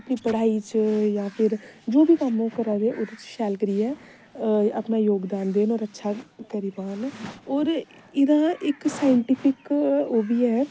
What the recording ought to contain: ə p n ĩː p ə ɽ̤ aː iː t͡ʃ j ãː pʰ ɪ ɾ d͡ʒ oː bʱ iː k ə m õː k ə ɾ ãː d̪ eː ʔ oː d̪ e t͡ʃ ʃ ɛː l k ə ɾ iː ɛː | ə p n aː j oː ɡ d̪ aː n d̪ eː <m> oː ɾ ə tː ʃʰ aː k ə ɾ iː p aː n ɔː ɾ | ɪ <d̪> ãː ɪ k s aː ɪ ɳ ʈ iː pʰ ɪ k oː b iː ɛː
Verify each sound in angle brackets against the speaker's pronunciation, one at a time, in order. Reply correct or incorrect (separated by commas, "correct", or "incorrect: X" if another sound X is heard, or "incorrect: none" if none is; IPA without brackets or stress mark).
incorrect: n, correct